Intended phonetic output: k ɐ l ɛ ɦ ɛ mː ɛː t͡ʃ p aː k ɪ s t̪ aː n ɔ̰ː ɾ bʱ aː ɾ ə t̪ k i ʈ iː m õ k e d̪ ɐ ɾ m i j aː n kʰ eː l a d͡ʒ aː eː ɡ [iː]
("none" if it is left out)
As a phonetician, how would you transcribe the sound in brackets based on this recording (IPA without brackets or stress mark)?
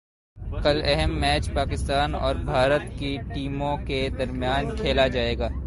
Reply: aː